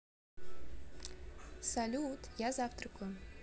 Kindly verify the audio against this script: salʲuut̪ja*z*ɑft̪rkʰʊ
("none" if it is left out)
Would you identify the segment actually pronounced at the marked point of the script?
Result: z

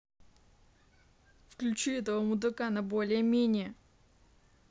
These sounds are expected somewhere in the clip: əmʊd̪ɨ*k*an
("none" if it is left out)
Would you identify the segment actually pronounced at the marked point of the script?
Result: k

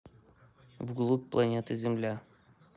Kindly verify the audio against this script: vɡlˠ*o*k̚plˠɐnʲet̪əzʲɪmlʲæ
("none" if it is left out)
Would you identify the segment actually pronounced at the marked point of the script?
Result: u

